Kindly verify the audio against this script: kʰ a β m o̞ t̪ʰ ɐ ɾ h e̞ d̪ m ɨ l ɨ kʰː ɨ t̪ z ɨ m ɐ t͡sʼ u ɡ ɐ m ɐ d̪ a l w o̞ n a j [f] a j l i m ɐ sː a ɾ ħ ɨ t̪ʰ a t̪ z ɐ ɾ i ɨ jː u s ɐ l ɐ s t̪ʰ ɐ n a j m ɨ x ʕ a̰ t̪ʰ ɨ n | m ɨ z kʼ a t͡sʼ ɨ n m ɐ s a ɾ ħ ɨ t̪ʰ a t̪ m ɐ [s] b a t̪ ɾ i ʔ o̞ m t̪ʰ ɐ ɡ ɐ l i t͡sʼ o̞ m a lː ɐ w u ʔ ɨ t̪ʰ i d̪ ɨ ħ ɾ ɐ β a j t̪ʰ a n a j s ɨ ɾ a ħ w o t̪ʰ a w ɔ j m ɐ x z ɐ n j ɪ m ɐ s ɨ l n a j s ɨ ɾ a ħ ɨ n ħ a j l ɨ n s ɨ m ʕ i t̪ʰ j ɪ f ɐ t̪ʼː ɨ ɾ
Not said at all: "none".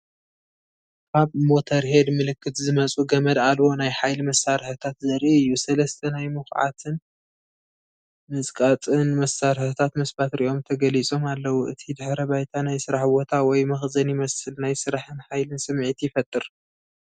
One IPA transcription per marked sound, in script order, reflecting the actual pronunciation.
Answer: ħ, s

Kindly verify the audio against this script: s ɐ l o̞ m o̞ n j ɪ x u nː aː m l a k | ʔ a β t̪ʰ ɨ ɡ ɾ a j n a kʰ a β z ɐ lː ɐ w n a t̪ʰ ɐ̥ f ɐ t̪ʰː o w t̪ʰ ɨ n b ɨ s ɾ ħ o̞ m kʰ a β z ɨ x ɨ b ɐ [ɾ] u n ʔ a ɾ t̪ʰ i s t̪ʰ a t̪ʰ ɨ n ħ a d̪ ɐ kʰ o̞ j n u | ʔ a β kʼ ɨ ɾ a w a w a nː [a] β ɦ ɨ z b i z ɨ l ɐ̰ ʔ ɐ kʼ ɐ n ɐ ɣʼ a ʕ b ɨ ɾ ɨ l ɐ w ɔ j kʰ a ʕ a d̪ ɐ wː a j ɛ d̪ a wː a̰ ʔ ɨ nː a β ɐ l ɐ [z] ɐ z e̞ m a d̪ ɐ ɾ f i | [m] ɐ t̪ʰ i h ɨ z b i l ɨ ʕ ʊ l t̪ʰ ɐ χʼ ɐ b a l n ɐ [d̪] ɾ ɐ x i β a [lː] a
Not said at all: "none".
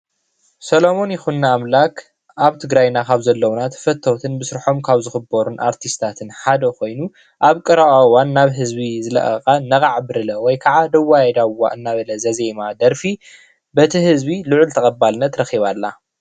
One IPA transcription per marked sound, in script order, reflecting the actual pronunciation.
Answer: ɾ, a, z, b, t̪, lː

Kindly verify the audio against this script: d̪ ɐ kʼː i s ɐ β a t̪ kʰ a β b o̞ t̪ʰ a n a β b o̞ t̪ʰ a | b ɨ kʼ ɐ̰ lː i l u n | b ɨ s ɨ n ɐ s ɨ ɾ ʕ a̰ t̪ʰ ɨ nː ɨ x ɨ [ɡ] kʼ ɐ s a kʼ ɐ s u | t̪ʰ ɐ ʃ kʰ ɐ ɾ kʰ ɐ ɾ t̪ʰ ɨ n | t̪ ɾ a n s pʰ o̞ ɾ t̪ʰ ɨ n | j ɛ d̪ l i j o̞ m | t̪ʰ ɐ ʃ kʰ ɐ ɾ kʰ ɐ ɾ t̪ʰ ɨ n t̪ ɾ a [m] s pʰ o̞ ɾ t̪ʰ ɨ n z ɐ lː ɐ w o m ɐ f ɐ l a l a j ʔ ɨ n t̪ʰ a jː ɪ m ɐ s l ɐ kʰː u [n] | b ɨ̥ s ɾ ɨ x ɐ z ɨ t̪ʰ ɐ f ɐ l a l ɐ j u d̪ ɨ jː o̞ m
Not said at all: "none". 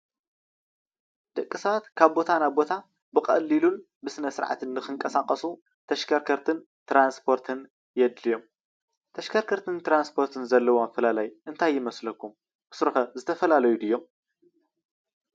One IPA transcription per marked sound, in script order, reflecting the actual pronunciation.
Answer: ŋ, n, m

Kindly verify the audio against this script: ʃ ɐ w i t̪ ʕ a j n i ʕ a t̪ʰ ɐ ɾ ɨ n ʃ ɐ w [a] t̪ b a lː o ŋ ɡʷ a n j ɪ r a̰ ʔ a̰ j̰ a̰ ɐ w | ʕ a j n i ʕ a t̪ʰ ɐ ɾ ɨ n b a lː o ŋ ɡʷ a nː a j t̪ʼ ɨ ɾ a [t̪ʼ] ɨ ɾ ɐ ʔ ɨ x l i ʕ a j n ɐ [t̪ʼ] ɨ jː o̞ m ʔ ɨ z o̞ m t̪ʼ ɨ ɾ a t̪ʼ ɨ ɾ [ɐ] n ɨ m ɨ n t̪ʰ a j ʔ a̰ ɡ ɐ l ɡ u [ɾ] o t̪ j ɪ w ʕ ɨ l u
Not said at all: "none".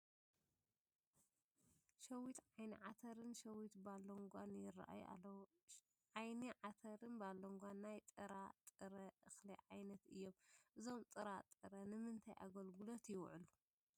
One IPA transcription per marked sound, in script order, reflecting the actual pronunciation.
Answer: i, t̪ʼ, t̪, ɐ, l

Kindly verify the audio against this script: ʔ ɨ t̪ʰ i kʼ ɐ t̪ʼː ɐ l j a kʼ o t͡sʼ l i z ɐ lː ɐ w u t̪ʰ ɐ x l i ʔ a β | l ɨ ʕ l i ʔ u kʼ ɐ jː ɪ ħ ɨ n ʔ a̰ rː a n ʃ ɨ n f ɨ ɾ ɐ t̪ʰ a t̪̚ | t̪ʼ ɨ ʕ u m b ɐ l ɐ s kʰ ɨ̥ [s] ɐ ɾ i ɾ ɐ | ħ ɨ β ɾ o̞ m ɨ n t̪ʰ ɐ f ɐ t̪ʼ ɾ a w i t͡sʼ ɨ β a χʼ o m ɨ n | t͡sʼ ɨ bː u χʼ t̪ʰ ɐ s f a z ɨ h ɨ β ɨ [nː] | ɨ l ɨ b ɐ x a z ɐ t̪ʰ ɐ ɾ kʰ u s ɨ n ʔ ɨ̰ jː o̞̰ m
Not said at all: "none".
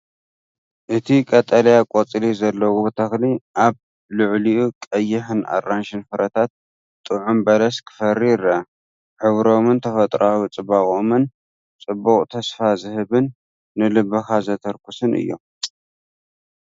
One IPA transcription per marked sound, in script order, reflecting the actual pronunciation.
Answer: f, nː

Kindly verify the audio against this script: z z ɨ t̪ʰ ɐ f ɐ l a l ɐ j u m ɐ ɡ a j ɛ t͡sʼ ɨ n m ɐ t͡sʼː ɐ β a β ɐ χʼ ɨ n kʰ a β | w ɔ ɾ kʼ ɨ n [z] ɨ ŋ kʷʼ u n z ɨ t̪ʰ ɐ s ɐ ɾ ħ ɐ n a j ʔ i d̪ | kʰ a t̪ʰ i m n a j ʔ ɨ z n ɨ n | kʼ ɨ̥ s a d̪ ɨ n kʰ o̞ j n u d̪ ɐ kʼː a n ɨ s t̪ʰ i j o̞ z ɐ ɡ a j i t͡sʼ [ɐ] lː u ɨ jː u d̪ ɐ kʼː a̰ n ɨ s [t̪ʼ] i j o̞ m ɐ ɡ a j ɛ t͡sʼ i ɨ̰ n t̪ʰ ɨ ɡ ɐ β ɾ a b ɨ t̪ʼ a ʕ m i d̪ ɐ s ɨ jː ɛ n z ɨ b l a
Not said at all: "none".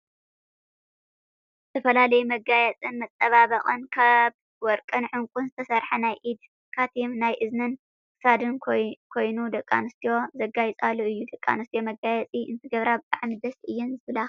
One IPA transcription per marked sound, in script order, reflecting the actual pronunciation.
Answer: ʕ, a, t̪

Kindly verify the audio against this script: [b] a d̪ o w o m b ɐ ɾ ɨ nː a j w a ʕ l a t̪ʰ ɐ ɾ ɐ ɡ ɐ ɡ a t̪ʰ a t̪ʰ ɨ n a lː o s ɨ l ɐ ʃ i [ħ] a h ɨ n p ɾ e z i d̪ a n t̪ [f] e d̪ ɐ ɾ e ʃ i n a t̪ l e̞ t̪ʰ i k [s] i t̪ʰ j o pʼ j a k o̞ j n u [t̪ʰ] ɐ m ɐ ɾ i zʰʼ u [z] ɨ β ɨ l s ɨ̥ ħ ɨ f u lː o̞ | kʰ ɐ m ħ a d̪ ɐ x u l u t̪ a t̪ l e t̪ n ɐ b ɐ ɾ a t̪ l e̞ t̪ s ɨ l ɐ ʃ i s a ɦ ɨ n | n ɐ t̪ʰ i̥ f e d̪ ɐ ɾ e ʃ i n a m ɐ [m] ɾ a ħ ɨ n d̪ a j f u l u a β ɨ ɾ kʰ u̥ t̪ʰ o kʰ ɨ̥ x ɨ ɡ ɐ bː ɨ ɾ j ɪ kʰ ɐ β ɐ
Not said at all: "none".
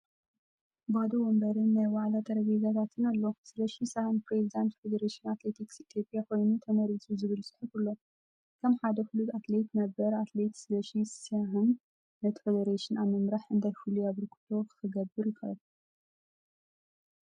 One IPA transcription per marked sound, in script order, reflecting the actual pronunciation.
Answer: b, s, f, s, t̪ʰ, z, m

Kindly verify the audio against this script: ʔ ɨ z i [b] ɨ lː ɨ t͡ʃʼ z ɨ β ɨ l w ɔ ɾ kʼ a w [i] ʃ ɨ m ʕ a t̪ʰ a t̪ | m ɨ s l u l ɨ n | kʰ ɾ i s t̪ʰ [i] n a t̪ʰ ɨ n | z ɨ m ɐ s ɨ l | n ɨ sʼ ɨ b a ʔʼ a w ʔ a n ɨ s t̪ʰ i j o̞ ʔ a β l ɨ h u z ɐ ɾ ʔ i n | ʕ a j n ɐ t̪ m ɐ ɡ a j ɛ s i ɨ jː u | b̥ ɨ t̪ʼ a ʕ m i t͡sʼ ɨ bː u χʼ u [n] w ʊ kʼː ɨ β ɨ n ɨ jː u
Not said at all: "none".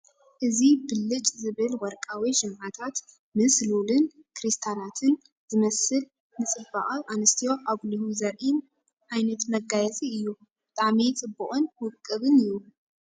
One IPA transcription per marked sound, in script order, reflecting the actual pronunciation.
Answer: b, i, a, n

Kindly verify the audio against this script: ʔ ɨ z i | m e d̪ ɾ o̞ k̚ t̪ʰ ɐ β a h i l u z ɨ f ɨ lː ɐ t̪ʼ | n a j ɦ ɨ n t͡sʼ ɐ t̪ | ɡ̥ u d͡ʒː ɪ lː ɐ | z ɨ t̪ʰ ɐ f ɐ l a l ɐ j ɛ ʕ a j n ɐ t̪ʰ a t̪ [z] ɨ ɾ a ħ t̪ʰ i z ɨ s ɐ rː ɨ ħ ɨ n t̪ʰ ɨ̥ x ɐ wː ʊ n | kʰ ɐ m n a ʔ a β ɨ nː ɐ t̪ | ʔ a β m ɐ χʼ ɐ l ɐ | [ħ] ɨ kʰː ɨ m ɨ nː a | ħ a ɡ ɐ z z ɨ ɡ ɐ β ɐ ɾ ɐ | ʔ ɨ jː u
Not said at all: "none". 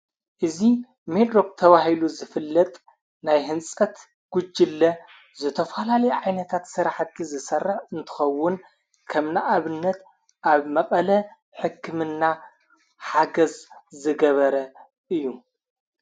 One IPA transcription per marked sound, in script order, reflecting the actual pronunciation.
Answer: s, ħ

